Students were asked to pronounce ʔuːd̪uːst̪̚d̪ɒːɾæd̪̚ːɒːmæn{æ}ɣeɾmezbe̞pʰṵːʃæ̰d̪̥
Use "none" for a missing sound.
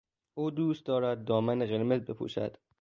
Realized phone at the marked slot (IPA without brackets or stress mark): e